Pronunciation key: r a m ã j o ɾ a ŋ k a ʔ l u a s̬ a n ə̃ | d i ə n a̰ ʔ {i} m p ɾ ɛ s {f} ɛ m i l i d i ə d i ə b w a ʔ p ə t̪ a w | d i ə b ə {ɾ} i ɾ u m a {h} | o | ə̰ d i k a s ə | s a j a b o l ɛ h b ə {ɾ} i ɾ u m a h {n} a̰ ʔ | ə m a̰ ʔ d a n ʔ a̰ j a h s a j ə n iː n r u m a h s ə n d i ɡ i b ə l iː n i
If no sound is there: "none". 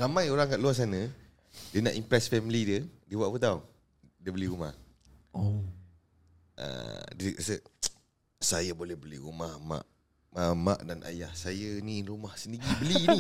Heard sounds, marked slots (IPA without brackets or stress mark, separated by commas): i, f, l, h, l, m